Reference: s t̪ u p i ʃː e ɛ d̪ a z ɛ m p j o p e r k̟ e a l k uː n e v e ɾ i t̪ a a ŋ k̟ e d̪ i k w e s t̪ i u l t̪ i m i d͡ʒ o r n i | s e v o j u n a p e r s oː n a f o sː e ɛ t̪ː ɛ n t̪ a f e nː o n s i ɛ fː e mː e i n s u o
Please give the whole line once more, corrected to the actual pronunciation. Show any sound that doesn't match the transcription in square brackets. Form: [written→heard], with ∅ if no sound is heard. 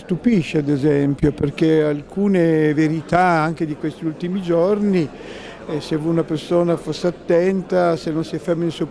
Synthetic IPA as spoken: s t̪ u p i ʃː e [ɛ→a] d̪ [a→e] z ɛ m p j o p e r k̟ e a l k uː n e v e ɾ i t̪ a a ŋ k̟ e d̪ i k w e s t̪ i u l t̪ i m i d͡ʒ o r n i | s e v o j u n a p e r s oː n a f o sː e [ɛ→a] t̪ː ɛ n t̪ a [f→s] e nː o n s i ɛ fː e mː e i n s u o